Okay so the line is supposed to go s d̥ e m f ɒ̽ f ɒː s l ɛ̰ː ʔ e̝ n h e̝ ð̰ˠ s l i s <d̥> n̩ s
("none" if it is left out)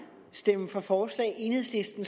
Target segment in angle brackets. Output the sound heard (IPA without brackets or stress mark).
d̥